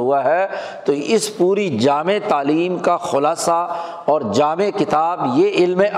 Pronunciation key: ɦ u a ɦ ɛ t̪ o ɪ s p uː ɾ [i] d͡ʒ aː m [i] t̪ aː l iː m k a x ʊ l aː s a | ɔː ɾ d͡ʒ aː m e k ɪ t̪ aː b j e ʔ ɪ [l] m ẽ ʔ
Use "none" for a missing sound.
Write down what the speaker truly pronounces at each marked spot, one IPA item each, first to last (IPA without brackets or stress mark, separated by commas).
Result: i, e, l